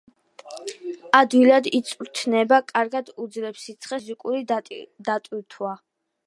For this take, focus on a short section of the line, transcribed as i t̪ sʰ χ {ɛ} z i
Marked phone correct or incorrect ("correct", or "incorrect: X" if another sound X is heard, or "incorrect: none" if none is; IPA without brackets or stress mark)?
correct